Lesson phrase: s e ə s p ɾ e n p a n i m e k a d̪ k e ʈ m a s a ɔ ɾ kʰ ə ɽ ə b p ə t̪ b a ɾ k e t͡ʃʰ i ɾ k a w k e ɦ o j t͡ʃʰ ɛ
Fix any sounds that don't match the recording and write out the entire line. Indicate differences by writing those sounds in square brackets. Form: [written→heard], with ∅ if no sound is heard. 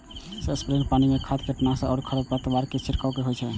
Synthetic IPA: s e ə s p ɾ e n p a n i m e [k→kʰ] a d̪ k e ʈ [m→n] a s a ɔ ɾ kʰ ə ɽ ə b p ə t̪ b a ɾ k e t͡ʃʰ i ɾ k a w k e ɦ o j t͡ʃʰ ɛ